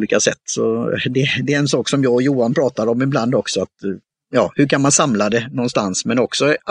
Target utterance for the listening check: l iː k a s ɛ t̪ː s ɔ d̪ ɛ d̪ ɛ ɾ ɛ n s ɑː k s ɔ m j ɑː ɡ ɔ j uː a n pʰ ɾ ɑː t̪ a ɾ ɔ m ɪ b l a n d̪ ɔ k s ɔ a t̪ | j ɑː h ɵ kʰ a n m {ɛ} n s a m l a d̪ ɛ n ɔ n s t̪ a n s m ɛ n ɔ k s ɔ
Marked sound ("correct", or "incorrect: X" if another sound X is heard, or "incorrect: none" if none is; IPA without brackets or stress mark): incorrect: a